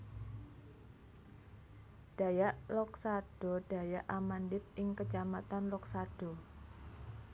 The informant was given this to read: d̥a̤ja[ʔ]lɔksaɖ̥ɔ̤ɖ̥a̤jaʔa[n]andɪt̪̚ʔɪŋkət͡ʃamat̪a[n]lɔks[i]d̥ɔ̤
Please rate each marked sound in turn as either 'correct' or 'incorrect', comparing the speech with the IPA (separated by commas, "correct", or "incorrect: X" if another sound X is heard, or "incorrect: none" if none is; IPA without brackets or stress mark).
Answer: correct, incorrect: m, correct, incorrect: a